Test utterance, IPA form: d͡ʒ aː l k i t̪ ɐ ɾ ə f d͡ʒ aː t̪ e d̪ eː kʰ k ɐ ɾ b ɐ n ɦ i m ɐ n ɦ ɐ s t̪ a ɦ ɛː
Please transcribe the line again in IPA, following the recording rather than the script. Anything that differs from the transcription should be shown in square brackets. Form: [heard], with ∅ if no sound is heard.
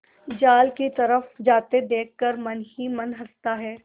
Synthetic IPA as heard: d͡ʒ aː l k i t̪ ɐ ɾ ə f d͡ʒ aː t̪ e d̪ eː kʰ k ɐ ɾ [m] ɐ n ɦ i m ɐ n ɦ ɐ s t̪ a ɦ ɛː